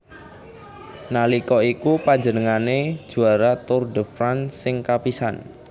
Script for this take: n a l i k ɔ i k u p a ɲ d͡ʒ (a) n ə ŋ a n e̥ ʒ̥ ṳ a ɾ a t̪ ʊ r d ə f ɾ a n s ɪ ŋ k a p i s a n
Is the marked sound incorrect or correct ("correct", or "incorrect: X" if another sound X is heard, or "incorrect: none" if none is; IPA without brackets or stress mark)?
incorrect: ə